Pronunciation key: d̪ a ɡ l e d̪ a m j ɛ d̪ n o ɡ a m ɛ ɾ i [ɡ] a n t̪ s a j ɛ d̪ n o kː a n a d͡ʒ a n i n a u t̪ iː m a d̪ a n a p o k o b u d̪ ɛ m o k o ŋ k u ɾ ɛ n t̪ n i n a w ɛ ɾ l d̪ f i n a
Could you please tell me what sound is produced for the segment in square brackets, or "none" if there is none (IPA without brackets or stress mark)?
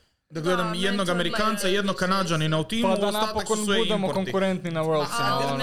k